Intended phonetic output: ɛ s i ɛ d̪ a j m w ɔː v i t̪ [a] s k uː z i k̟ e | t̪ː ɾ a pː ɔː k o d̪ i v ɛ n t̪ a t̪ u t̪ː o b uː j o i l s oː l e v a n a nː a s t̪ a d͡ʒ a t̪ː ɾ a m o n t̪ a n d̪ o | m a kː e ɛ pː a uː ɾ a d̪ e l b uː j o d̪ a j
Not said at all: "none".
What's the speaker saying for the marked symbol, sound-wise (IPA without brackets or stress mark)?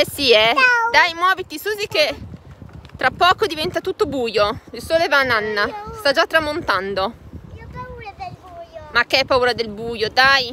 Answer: i